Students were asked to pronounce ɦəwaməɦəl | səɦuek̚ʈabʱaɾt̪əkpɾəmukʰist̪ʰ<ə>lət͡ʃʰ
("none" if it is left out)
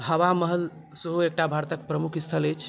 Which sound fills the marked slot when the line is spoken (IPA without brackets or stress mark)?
ə